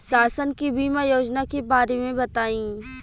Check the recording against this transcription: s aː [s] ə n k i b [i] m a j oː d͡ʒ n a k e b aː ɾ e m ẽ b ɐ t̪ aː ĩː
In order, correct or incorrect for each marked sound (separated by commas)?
correct, incorrect